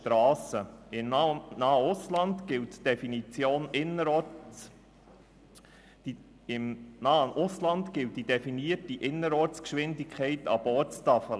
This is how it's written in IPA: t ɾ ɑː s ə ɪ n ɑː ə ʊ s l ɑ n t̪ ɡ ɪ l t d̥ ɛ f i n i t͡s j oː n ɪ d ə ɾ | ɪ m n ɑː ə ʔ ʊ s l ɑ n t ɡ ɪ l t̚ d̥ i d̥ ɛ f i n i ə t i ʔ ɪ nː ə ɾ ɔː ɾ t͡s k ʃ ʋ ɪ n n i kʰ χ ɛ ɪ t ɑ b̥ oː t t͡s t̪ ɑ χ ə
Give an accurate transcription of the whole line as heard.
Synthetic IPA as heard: t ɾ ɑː s ə ɪ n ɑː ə ʊ s l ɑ n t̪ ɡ ɪ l t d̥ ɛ f i n i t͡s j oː n ɪ n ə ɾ | ɪ m n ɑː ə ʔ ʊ s l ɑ n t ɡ ɪ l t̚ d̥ i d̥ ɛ f i n i ə t i ʔ ɪ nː ə ɾ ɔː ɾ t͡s k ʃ ʋ ɪ n d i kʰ χ ɛ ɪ t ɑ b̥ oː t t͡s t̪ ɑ f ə